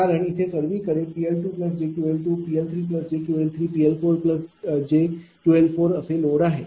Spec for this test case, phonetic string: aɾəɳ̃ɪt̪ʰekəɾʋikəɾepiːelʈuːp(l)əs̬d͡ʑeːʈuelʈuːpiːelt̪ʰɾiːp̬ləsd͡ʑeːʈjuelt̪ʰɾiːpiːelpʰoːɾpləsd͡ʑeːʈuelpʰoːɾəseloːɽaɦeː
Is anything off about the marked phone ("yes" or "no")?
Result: no